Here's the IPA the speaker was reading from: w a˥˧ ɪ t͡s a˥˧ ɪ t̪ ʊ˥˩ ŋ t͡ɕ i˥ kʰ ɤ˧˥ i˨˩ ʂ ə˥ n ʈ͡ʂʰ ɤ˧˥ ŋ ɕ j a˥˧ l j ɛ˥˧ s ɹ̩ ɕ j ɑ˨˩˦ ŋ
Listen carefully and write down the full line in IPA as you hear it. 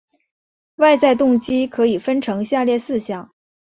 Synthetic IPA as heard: w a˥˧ ɪ t͡s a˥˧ ɪ t̪ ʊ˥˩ ŋ t͡ɕ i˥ kʰ ɤ˧˥ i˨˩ f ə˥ n ʈ͡ʂʰ ɤ˧˥ ŋ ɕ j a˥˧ l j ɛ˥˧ s ɹ̩ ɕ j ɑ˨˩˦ ŋ